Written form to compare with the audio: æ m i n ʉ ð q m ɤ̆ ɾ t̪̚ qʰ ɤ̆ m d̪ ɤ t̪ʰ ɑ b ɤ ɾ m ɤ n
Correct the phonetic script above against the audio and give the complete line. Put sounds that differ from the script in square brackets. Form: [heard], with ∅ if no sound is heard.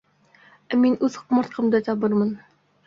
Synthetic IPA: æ m i n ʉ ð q m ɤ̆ ɾ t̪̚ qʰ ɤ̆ m d̪ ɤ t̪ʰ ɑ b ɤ ɾ m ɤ n